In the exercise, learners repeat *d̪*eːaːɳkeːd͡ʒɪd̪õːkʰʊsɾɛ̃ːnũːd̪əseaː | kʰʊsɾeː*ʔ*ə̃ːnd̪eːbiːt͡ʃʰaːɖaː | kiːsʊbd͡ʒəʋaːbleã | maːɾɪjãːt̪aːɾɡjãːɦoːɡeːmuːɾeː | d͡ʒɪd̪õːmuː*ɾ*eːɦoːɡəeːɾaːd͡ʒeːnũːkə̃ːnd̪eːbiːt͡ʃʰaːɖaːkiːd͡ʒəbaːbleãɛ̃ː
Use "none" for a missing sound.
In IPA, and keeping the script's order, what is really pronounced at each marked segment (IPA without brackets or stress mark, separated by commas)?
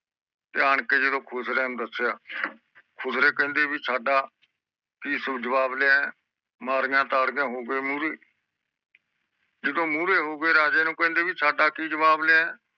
t̪, k, ɾ